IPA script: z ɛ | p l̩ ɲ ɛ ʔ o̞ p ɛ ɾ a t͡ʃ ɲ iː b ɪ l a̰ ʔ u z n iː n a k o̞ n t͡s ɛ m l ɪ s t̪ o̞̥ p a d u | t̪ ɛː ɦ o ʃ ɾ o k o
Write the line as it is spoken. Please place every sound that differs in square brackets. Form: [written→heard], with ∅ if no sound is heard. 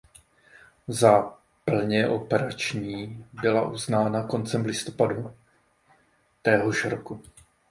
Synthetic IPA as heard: z [ɛ→a] | p l̩ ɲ ɛ ʔ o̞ p ɛ ɾ a t͡ʃ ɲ iː b ɪ l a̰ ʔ u z n [iː→aː] n a k o̞ n t͡s ɛ m l ɪ s t̪ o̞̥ p a d u | t̪ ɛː ɦ o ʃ ɾ o k [o→u]